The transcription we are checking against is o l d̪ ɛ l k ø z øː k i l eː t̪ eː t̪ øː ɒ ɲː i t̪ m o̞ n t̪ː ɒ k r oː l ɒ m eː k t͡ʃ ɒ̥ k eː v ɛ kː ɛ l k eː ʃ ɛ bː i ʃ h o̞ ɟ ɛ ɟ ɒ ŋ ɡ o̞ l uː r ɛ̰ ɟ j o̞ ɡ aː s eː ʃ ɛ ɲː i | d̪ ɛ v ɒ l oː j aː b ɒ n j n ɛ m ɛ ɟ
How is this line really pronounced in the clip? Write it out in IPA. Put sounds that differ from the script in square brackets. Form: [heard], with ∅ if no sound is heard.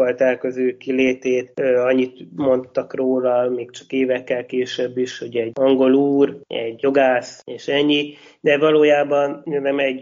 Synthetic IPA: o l [t̪] ɛ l k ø z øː k i l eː t̪ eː t̪ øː ɒ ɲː i t̪ m o̞ n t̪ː ɒ k r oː l ɒ m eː k t͡ʃ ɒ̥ k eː v ɛ kː ɛ l k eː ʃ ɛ bː i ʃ h o̞ ɟ ɛ ɟ ɒ ŋ ɡ o̞ l uː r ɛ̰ ɟ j o̞ ɡ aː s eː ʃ ɛ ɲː i | d̪ ɛ v ɒ l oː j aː b ɒ n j n ɛ m ɛ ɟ